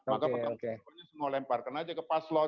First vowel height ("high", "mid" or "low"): low